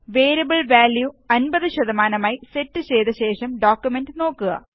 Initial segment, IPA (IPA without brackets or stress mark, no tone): ʋ